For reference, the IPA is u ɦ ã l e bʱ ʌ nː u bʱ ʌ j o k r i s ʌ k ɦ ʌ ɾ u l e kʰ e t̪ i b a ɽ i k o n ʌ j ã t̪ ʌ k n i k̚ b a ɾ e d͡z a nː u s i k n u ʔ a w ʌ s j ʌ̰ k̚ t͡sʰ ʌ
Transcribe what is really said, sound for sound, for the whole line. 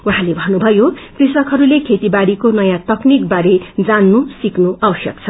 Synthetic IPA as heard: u ɦ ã l e bʱ ʌ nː u bʱ ʌ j o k r i s ʌ k ɦ ʌ ɾ u l e kʰ e t̪ i b a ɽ i k o n ʌ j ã t̪ ʌ k n i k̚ b a ɾ e d͡z a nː u s i k n u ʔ a w ʌ s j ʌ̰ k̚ t͡sʰ ʌ